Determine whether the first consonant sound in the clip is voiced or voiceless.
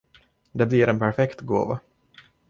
voiced